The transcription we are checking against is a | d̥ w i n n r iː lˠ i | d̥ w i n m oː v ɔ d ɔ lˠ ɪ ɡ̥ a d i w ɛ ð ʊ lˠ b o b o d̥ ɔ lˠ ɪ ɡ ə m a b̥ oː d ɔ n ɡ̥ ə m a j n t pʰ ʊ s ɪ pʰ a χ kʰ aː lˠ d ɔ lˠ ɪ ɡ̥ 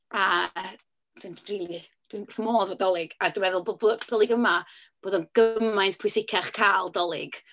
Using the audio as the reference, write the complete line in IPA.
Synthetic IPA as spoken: a | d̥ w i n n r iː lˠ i | d̥ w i n m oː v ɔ d ɔ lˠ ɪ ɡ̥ a d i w ɛ ð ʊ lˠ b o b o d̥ ɔ lˠ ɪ ɡ ə m a b̥ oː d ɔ n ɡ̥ ə m a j n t pʰ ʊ s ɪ kʰ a χ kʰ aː lˠ d ɔ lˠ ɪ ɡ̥